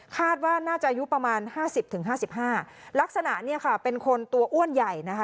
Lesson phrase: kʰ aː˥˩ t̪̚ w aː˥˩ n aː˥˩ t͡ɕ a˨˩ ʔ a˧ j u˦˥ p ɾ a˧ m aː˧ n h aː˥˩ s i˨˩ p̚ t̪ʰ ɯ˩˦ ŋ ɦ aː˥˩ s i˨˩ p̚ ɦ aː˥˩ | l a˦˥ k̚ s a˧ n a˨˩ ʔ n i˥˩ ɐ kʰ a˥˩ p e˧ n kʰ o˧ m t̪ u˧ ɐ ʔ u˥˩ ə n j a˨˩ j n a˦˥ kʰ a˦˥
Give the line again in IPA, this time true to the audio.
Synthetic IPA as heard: kʰ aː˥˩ t̪̚ w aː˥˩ n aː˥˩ t͡ɕ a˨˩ ʔ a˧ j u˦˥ p ɾ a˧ m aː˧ n h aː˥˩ s i˨˩ p̚ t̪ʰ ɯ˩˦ ŋ ɦ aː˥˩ s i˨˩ p̚ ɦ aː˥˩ | l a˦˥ k̚ s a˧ n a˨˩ ʔ n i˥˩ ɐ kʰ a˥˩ p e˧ n kʰ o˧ n t̪ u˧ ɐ ʔ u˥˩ ə n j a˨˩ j n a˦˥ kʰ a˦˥